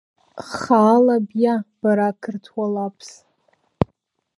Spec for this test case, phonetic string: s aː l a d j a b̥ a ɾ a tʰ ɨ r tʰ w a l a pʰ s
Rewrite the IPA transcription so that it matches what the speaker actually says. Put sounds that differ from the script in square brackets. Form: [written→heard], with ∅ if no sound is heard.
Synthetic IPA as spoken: [s→χ] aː l a [d→b] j a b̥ a ɾ a [tʰ→kʰ] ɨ r tʰ w a l a pʰ s